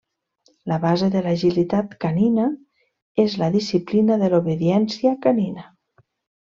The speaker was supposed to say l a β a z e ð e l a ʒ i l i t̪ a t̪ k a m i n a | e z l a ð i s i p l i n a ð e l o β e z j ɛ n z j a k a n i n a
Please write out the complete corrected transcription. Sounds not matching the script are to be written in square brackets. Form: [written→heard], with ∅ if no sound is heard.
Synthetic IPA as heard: l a β a z e ð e l a ʒ i l i t̪ a t̪ k a [m→n] i n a | e z l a ð i s i p l i n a ð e l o β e [z→ð] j ɛ n [z→s] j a k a n i n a